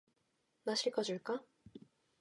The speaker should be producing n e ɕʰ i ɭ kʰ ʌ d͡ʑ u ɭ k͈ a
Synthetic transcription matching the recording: n a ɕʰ i ɭ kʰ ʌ d͡ʑ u ɭ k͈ a